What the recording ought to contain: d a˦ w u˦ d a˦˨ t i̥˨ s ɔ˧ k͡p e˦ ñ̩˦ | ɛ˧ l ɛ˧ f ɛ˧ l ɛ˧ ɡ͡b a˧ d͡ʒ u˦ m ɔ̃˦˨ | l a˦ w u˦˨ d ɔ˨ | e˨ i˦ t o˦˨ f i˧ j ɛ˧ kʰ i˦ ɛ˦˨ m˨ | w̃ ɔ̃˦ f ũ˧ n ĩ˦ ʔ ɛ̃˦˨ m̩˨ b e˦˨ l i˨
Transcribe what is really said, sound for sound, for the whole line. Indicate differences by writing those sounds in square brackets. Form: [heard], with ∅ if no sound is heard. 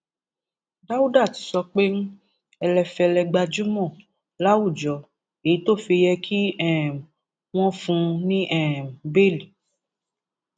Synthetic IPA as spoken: d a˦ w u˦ d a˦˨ t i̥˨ s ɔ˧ k͡p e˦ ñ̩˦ | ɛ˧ l ɛ˧ f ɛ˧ l ɛ˧ ɡ͡b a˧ d͡ʒ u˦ m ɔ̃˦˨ | l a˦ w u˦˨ [d͡ʒ] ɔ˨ | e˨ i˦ t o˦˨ f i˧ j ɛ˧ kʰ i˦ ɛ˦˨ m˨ | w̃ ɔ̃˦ f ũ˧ n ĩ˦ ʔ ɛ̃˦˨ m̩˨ b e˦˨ l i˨